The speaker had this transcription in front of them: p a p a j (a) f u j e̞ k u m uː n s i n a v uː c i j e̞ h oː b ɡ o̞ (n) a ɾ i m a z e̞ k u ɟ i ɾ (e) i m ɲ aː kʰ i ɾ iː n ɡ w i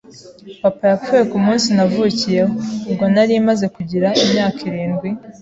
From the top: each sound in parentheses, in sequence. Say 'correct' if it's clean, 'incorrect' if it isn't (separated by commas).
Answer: correct, correct, incorrect